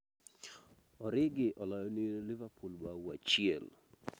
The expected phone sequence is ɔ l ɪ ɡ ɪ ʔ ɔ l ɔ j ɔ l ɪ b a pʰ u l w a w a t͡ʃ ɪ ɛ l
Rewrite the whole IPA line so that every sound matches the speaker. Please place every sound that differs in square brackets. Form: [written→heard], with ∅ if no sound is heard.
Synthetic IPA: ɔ [l→ɾ] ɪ ɡ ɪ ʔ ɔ l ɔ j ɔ l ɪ [b→v] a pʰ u l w a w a t͡ʃ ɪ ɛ l